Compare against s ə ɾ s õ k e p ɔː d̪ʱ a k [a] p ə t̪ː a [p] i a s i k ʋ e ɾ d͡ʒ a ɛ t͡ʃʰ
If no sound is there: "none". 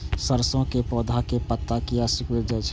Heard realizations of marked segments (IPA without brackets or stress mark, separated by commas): e, k